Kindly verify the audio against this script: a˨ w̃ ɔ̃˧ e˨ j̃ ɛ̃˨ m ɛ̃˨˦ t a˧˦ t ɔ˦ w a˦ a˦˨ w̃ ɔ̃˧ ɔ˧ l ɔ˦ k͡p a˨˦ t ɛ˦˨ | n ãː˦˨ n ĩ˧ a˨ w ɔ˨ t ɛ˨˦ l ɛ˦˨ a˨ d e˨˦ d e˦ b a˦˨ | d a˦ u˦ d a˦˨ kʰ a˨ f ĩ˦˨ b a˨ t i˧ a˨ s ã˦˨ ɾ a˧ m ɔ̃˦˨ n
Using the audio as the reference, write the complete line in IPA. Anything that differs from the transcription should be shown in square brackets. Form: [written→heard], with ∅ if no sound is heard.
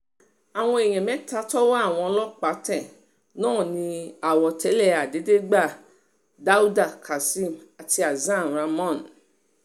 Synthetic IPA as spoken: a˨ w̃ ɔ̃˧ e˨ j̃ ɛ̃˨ m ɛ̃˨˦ t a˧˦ t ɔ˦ w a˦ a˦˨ w̃ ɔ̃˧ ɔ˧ l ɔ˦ k͡p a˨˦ t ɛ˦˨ | n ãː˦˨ n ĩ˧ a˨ w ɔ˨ t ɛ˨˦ l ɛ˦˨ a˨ d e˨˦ d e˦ [b→ɡ͡b] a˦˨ | d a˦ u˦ d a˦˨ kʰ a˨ [f→s] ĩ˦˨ [b→m] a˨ t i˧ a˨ [s→z] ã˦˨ ɾ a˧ m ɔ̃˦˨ n